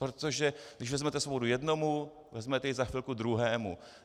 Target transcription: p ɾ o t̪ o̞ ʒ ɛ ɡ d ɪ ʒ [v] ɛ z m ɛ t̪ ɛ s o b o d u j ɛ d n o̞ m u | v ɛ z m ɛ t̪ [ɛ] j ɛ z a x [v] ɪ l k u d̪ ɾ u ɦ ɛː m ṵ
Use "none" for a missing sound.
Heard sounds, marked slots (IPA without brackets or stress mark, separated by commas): v, ɛ, f